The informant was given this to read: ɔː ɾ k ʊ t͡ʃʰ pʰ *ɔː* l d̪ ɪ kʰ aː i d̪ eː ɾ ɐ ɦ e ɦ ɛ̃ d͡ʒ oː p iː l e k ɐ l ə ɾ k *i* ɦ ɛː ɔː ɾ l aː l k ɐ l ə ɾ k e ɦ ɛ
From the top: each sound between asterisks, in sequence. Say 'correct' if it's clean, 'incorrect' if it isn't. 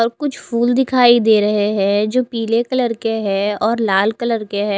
incorrect: uː, incorrect: e

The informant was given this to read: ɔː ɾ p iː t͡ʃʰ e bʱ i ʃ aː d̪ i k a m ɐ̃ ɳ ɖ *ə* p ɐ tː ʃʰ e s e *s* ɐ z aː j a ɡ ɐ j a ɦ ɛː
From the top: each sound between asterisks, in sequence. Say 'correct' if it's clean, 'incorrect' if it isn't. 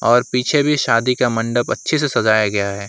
correct, correct

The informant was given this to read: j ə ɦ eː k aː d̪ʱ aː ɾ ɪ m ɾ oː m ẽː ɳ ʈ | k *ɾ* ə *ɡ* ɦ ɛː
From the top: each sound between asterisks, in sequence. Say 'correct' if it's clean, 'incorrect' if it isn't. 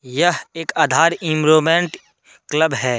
incorrect: l, incorrect: b

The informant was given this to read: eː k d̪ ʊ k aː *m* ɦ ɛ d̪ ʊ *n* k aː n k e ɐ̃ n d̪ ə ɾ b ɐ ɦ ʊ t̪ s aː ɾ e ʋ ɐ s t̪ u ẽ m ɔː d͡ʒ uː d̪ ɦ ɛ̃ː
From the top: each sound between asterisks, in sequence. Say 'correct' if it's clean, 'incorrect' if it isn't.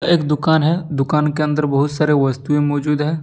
incorrect: n, incorrect: none

